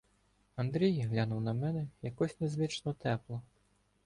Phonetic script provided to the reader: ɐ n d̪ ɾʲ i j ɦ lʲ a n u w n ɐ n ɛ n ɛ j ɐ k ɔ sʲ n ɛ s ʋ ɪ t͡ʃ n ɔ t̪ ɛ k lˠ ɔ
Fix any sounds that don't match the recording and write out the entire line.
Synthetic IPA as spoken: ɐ n d̪ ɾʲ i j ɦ lʲ a n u w n ɐ m ɛ n ɛ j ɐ k ɔ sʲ n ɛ z ʋ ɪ t͡ʃ n ɔ t̪ ɛ p lˠ ɔ